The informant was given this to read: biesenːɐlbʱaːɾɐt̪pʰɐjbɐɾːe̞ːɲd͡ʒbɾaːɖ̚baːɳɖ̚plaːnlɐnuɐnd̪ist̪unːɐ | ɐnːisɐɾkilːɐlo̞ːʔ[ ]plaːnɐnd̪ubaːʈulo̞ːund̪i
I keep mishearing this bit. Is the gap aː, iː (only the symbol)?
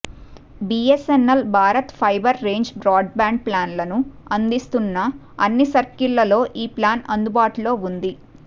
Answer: iː